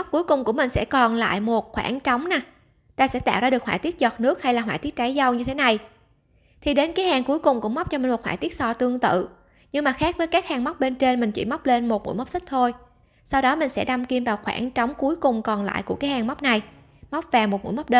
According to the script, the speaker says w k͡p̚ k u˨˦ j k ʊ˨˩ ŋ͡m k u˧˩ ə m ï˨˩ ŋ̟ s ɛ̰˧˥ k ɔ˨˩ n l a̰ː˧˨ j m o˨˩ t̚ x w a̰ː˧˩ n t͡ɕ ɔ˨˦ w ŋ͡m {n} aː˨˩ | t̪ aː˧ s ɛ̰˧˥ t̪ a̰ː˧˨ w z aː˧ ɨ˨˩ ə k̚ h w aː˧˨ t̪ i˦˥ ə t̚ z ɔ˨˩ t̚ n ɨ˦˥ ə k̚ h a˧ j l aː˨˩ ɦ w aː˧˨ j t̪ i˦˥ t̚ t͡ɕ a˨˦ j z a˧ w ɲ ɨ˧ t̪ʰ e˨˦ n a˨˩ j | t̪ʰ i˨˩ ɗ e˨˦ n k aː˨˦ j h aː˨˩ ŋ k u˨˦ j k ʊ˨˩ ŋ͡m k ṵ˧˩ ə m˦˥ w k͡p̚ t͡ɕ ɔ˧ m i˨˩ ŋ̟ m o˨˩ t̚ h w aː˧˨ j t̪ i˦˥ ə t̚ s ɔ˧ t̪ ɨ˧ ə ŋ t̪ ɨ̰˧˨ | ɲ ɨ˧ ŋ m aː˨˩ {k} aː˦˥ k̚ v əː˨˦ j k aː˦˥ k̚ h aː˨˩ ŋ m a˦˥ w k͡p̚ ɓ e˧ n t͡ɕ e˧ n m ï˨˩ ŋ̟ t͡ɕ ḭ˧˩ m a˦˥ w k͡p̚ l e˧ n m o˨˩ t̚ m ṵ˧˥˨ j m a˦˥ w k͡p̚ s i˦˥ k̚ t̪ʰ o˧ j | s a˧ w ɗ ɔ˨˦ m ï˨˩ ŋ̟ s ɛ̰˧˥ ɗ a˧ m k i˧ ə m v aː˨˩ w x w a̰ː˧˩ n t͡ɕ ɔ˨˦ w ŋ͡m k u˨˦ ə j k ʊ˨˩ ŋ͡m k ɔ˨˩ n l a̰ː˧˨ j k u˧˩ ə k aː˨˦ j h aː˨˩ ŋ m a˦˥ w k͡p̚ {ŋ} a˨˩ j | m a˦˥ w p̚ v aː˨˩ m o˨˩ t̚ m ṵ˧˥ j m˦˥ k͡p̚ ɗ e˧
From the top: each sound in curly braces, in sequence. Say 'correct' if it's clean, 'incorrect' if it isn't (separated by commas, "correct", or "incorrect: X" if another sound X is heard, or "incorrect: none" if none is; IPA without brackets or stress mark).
correct, incorrect: x, incorrect: n